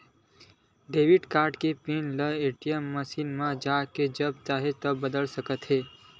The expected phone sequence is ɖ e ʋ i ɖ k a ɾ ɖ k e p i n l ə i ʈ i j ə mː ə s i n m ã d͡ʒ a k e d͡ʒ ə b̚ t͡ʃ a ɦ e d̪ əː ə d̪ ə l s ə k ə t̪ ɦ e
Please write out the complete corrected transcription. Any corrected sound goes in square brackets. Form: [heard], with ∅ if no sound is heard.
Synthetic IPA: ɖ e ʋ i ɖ k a ɾ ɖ k e p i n l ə [e] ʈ i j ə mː ə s i n m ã d͡ʒ a k e d͡ʒ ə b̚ t͡ʃ a ɦ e [t̪] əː ə d̪ ə l s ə k ə t̪ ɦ e